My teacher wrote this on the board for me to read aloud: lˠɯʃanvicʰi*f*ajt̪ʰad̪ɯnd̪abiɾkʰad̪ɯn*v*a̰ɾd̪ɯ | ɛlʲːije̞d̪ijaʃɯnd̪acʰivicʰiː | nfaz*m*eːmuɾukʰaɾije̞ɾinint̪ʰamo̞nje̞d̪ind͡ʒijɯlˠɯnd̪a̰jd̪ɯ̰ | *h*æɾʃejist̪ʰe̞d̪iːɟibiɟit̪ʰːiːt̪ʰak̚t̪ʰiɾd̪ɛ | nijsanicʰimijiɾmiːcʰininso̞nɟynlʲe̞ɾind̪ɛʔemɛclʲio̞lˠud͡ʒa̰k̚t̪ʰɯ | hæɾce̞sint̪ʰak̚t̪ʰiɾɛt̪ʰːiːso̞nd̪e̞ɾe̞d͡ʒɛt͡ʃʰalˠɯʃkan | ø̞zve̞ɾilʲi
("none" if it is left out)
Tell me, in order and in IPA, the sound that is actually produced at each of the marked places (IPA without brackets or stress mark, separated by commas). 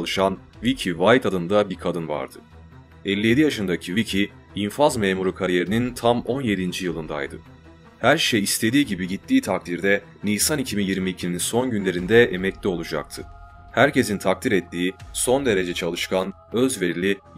v, v, m, h